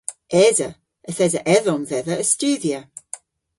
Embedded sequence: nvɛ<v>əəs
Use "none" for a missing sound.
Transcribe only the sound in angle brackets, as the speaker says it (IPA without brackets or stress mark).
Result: ð